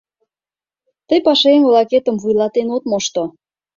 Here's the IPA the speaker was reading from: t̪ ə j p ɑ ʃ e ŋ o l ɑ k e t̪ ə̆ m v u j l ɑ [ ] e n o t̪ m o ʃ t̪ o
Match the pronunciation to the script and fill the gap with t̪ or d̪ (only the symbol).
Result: t̪